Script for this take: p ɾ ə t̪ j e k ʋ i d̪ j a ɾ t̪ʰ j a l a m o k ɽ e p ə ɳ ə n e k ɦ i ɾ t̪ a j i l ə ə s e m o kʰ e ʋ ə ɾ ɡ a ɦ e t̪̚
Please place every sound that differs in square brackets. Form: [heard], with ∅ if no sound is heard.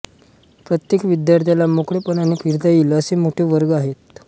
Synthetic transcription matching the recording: p ɾ ə t̪ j e k ʋ i d̪ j a ɾ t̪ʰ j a l a m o k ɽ e p ə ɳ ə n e k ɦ i ɾ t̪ a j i l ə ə s e m o [ʈʰ] e ʋ ə ɾ ɡ a ɦ e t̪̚